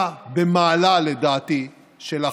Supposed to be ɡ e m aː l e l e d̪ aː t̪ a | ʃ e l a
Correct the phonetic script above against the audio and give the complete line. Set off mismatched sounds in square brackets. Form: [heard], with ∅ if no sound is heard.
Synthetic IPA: [b] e m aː l [a] l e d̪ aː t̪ [i] | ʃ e l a